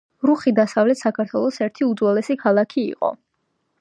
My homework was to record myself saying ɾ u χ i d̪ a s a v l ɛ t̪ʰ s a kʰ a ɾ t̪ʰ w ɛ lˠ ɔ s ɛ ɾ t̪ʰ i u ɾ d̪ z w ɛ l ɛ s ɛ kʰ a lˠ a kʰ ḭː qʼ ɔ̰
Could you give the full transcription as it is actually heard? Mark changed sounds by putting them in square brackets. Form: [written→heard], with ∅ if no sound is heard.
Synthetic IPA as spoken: ɾ u χ i d̪ a s a v l ɛ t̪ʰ s a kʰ a ɾ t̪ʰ w ɛ lˠ ɔ s ɛ ɾ t̪ʰ i u [ɾ→∅] d̪ z w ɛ l ɛ s [ɛ→i] kʰ a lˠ a kʰ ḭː qʼ ɔ̰